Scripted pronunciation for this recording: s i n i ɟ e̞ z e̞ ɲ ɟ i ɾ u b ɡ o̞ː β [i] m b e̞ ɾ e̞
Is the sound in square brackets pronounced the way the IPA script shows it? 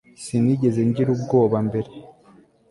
no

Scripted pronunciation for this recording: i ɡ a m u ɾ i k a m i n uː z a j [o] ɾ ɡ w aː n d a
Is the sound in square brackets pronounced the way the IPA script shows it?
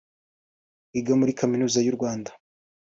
no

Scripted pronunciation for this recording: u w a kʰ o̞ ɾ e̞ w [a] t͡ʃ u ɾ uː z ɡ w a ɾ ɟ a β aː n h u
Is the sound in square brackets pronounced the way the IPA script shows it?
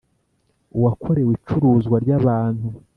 no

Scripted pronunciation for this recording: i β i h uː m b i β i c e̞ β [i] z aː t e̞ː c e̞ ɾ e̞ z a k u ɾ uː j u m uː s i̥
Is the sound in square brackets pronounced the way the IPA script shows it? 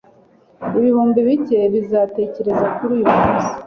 yes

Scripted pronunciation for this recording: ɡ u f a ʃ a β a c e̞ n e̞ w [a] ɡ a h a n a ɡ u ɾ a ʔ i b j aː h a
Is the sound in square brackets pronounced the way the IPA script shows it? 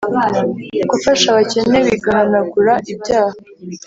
no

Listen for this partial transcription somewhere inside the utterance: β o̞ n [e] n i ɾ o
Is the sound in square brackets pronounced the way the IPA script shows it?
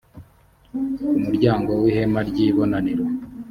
no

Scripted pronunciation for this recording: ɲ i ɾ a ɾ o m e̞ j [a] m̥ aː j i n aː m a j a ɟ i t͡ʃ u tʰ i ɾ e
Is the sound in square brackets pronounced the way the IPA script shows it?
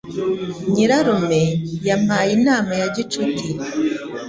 yes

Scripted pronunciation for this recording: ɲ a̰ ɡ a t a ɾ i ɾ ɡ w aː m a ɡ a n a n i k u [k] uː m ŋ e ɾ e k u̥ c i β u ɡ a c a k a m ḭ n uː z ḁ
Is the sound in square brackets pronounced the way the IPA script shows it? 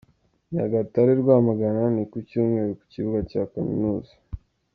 no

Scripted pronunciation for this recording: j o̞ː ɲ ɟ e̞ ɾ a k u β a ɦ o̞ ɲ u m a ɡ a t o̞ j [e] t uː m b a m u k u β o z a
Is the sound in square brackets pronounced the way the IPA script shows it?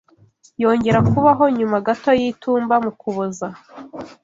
no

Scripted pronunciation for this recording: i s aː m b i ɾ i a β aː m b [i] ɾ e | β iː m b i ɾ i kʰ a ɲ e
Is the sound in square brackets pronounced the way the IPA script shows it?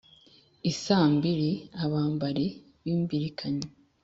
no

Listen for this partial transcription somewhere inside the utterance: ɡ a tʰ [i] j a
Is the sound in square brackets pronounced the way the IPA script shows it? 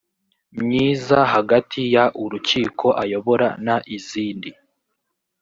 yes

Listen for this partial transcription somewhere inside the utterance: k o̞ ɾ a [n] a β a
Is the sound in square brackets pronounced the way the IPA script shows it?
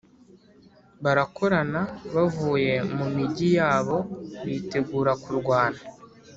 yes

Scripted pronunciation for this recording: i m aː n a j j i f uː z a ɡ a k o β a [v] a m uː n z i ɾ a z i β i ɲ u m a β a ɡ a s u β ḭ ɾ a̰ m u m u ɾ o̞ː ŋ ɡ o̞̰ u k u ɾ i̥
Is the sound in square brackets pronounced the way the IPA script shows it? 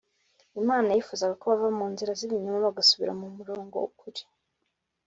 yes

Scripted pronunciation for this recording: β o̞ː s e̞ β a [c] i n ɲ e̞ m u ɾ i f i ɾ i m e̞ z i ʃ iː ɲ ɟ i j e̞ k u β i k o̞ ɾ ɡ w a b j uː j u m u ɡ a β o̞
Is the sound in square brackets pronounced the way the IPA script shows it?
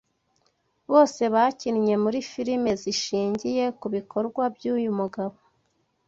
yes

